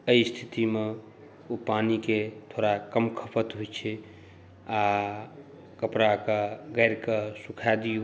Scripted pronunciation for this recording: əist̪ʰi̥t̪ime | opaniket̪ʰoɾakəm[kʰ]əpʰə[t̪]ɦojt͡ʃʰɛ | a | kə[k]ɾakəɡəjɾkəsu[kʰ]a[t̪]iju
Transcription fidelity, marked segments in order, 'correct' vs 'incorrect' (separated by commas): correct, correct, incorrect, correct, incorrect